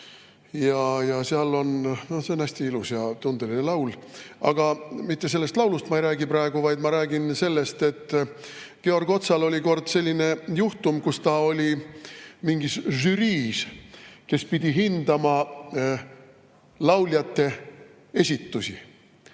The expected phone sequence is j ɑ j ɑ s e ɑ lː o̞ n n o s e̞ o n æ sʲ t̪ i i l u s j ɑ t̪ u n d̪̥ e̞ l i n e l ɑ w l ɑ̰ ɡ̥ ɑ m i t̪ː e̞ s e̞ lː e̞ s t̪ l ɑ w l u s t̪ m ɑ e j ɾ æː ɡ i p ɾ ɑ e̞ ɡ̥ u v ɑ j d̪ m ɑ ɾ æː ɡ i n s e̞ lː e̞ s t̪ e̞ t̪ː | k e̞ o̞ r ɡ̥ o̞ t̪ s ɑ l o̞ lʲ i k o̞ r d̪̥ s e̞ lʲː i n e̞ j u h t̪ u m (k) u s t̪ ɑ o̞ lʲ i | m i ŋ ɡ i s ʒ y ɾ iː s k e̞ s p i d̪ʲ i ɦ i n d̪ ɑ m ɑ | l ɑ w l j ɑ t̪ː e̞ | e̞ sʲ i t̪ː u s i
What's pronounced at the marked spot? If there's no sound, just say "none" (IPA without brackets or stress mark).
k